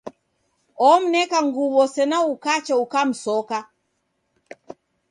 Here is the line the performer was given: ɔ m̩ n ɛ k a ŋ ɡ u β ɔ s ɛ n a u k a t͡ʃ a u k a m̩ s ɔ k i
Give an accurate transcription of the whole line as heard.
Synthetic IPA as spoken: ɔ m̩ n ɛ k a ŋ ɡ u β ɔ s ɛ n a u k a t͡ʃ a u k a m̩ s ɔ k a